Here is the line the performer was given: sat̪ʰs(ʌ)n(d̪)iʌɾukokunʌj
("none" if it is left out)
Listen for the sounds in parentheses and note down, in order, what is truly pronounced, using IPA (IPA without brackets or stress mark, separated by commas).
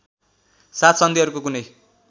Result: ʌ, d̪